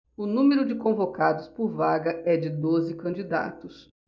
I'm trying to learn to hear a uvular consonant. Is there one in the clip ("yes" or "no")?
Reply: no